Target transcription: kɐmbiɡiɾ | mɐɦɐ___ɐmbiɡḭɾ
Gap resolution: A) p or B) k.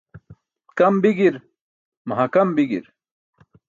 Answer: B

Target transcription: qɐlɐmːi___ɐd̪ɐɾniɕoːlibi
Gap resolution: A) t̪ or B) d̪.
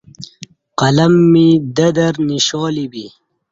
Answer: B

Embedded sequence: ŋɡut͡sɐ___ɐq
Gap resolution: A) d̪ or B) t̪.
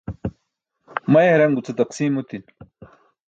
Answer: B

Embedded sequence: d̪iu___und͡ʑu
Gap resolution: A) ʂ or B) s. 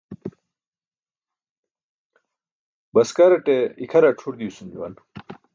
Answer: B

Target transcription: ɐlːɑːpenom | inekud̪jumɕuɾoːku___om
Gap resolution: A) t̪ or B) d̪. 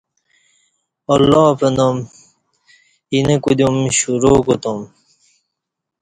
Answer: A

